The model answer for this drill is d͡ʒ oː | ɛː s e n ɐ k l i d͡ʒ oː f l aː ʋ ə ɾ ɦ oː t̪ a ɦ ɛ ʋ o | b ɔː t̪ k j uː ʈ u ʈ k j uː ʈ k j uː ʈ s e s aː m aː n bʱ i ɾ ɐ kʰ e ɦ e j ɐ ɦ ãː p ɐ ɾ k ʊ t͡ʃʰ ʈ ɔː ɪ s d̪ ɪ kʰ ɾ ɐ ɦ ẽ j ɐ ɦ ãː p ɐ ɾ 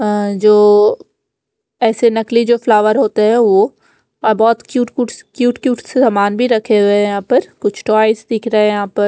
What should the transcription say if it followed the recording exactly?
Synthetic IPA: d͡ʒ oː | ɛː s e n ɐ k l i d͡ʒ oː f l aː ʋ ə ɾ ɦ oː t̪ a ɦ ɛ ʋ o | b ɔː t̪ k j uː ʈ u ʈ k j uː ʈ k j uː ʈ s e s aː m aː n bʱ i ɾ ɐ kʰ e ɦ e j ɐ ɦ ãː p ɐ ɾ k ʊ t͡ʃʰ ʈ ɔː ɪ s d̪ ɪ kʰ ɾ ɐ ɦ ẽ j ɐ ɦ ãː p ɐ ɾ